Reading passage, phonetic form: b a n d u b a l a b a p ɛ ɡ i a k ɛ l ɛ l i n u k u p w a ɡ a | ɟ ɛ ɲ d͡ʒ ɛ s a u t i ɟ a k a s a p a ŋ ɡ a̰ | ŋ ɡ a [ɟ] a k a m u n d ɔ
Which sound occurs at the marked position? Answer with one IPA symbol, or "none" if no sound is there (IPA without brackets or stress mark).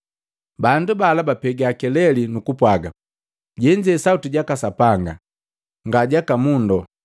ɟ